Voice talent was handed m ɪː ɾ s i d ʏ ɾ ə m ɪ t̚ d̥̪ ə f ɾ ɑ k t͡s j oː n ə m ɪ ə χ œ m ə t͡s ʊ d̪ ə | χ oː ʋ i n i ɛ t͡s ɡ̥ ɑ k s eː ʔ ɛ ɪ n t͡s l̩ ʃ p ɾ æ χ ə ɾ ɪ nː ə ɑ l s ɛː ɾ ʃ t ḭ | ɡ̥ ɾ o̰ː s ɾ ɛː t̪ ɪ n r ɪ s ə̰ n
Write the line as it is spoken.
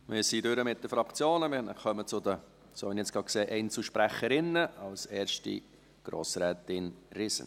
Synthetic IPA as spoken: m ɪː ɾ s i d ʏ ɾ ə m ɪ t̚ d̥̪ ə f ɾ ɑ k t͡s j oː n ə m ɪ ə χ œ m ə t͡s ʊ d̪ ə | s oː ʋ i n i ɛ t͡s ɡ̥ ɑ k s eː ʔ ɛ ɪ n t͡s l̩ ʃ p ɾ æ χ ə ɾ ɪ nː ə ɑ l s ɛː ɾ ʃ t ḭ | ɡ̥ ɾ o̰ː s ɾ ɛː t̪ ɪ n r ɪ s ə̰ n